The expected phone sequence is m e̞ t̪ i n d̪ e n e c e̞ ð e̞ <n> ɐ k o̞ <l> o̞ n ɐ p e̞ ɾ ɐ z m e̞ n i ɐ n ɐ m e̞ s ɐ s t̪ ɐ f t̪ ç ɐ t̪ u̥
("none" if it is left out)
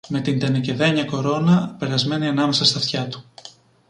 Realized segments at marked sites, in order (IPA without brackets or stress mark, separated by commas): ɲ, ɾ